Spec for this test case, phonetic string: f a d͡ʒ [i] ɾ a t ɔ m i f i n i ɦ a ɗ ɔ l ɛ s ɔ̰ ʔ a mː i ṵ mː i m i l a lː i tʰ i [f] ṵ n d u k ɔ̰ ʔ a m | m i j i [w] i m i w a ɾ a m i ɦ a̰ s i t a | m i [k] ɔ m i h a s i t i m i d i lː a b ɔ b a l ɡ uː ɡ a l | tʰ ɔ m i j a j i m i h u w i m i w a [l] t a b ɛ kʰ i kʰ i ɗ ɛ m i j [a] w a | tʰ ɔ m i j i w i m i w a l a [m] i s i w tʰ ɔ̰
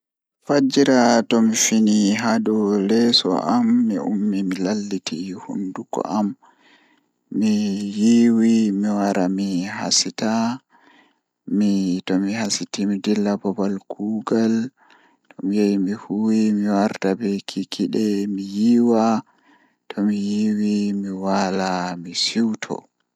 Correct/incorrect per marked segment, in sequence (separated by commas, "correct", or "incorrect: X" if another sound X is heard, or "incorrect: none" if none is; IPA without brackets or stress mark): correct, incorrect: h, correct, incorrect: t, incorrect: ɾ, incorrect: i, correct